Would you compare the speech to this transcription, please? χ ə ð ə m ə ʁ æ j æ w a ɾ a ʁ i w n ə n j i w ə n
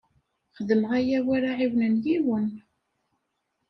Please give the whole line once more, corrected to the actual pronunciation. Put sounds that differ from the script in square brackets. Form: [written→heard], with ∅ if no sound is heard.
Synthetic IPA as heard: χ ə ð ə m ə ʁ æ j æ w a ɾ a [ʁ→ʕ] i w n ə n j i w ə n